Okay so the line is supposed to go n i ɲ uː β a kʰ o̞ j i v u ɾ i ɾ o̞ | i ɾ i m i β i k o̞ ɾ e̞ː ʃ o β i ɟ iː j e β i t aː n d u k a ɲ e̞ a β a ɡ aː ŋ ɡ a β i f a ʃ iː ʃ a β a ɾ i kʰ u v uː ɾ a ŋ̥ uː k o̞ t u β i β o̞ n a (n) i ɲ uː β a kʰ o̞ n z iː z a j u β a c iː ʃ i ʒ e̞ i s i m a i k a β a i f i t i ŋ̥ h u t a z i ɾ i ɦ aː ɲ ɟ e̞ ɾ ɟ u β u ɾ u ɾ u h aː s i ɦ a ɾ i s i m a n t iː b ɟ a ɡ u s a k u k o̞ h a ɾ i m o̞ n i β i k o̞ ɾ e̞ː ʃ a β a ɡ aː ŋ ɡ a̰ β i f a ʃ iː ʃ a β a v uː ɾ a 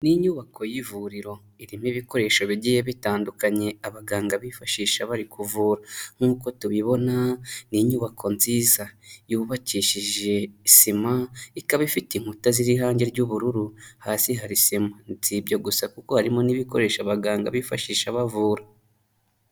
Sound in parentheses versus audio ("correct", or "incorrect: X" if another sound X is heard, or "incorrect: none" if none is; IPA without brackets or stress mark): correct